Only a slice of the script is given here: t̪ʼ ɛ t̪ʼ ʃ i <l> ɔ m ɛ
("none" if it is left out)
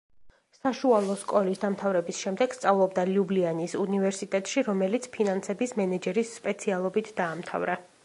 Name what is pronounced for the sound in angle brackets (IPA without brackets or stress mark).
ɾ